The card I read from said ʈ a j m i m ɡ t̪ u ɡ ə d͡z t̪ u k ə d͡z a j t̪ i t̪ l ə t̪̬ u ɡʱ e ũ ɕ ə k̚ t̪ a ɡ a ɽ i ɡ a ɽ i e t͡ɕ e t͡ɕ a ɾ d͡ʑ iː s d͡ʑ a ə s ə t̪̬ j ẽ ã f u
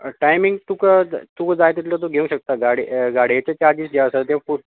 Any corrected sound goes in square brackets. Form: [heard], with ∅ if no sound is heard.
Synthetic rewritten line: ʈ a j m i [ŋ] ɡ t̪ u [k] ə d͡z t̪ u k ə d͡z a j t̪ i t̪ l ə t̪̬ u ɡʱ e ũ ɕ ə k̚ t̪ a ɡ a ɽ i ɡ a ɽ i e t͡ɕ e t͡ɕ a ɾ d͡ʑ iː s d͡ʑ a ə s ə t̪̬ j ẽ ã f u

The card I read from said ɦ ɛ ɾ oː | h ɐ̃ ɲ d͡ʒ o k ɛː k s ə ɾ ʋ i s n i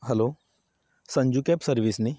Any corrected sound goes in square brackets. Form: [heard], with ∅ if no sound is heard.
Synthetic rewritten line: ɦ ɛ [l] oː | [s] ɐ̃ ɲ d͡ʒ [u] k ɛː [p] s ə ɾ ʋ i s n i

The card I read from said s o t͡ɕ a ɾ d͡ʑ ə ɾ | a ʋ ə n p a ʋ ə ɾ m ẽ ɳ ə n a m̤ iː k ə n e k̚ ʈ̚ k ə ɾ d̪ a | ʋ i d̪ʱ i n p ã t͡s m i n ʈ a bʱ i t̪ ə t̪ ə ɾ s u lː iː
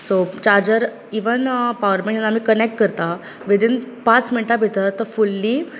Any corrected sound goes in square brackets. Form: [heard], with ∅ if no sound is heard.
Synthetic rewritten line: s o t͡ɕ a ɾ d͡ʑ ə ɾ | [i] ʋ ə n p a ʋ ə ɾ m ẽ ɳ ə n a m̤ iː k ə n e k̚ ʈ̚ k ə ɾ [t̪] a | ʋ i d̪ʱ i n p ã t͡s m i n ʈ a bʱ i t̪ ə t̪ ə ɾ [f] u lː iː

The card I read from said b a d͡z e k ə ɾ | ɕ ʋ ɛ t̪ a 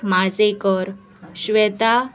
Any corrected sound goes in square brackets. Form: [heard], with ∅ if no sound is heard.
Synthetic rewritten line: [m] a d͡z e k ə ɾ | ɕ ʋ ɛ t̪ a

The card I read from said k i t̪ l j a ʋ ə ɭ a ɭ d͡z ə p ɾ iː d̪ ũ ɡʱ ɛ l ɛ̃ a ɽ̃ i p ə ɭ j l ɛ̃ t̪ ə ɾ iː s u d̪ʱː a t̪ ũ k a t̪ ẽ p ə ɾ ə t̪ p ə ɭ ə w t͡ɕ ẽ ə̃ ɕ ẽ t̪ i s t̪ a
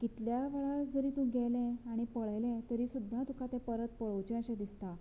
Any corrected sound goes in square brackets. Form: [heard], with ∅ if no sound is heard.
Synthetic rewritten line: k i t̪ l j a ʋ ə ɭ a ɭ d͡z ə [∅] ɾ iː [t̪] ũ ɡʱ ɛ l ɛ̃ a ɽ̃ i p ə ɭ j l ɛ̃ t̪ ə ɾ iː s u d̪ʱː a t̪ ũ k a t̪ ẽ p ə ɾ ə t̪ p ə ɭ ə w t͡ɕ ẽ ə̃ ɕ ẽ [d̪] i s t̪ a

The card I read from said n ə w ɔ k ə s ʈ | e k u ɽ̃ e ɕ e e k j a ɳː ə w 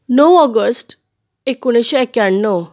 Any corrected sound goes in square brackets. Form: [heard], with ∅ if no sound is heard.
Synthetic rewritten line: n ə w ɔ [ɡ] ə s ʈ | e k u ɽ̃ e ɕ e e k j a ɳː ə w

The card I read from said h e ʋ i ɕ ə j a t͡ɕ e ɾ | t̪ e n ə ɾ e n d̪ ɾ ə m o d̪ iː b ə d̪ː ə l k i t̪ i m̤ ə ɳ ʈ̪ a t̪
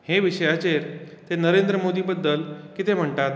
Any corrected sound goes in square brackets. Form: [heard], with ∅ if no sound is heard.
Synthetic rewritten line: h e ʋ i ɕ ə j a t͡ɕ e ɾ | t̪ e n ə ɾ e n d̪ ɾ ə m o d̪ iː b ə d̪ː ə l k i t̪ [e] m̤ ə ɳ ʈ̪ a t̪

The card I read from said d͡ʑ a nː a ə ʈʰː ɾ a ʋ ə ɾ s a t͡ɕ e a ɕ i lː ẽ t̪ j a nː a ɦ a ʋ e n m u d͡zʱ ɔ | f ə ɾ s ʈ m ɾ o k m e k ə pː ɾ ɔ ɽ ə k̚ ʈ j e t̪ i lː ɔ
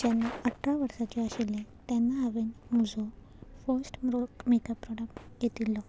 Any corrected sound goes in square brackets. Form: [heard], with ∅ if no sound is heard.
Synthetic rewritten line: d͡ʑ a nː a ə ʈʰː ɾ a ʋ ə ɾ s a t͡ɕ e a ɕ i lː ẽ t̪ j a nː a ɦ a ʋ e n m u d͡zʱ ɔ | f ə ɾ s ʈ m ɾ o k m e k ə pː ɾ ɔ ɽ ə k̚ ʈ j e t̪ i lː ɔ

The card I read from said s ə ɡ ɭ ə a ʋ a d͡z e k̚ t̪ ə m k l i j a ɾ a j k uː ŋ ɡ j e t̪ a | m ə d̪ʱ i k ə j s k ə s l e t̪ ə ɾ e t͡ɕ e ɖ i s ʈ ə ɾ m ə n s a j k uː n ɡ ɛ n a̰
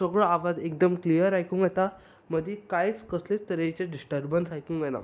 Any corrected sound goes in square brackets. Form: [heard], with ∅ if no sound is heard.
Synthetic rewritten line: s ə ɡ ɭ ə a ʋ a d͡z e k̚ [d̪] ə m k l i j [ə] ɾ a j k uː ŋ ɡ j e t̪ a | m ə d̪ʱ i k [a] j [t͡s] k ə s l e t̪ ə ɾ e t͡ɕ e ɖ i s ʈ ə ɾ [b] ə n s a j k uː [ŋ] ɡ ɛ n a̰

